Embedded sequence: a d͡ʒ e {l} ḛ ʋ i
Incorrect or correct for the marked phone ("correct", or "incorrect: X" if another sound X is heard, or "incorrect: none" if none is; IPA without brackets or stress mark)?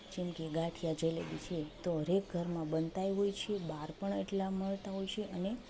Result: correct